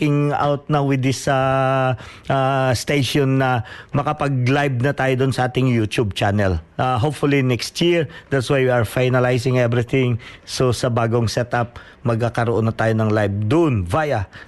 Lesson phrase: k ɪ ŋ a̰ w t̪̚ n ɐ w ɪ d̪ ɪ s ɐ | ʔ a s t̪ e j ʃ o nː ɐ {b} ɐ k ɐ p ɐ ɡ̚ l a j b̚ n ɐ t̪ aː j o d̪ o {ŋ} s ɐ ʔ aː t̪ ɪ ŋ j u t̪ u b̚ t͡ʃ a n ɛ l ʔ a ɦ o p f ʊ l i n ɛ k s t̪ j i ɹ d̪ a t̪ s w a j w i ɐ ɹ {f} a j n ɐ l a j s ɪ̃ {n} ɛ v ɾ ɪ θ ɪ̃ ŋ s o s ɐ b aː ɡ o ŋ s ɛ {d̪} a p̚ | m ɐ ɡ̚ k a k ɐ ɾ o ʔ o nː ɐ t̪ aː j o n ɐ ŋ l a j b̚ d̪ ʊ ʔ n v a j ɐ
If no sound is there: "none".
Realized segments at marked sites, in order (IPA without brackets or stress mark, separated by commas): m, n, f, ŋ, t̪